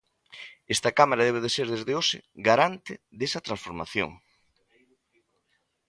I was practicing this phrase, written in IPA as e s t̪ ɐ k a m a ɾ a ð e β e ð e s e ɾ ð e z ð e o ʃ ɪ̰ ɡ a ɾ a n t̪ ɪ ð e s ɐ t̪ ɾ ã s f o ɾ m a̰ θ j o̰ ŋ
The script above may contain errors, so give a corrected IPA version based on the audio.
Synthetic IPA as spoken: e s t̪ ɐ k a m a ɾ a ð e β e ð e s e ɾ ð e z ð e o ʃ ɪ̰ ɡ a ɾ a n t̪ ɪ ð e s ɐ t̪ ɾ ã s f o ɾ m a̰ θ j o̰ ŋ